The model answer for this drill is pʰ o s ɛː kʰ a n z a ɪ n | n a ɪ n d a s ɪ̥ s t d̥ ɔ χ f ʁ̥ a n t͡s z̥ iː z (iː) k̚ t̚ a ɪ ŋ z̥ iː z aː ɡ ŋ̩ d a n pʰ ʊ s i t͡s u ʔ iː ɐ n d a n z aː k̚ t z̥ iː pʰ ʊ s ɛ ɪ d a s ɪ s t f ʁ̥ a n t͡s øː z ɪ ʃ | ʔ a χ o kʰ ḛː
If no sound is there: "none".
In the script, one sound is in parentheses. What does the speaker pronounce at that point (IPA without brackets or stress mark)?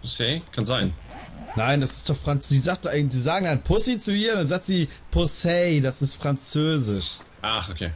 aː